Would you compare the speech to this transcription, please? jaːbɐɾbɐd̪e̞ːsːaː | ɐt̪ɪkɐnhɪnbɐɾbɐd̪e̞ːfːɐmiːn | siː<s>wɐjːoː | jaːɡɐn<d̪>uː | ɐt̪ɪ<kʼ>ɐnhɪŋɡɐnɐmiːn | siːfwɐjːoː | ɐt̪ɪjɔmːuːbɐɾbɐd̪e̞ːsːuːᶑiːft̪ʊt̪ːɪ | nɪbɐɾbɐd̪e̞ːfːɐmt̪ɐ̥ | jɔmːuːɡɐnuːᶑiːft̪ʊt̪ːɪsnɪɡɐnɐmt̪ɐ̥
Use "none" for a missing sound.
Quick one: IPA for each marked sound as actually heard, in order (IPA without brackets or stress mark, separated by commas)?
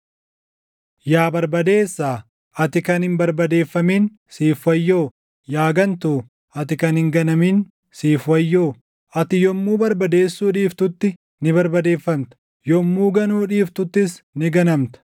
f, t̪, k